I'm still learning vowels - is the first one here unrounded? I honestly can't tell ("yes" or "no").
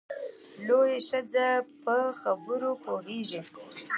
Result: no